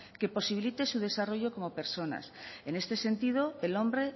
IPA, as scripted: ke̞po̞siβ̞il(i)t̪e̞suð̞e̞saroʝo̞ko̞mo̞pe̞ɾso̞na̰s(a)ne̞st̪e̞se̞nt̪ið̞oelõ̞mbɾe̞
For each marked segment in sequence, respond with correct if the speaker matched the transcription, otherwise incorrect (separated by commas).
correct, incorrect